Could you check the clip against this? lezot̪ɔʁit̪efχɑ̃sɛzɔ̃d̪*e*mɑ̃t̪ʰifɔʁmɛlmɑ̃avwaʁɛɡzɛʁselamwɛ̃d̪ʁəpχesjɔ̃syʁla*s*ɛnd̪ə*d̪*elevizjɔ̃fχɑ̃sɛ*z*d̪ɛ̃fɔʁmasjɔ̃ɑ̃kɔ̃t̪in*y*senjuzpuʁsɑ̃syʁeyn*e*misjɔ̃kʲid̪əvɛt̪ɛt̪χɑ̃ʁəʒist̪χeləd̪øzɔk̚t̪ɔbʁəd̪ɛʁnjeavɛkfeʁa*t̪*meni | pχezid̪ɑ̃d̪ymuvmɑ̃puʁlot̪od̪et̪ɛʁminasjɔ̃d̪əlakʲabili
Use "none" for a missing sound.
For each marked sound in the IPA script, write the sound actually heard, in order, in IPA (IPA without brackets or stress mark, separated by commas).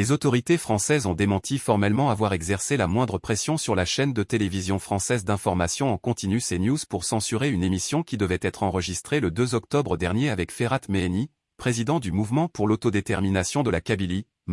e, ʃ, t̪, z, y, e, t̪